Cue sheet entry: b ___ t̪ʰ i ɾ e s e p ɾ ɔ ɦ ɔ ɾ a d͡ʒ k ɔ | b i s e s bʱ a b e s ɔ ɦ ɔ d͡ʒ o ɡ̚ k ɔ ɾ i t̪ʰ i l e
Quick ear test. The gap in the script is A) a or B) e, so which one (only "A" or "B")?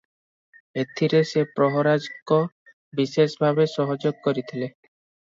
B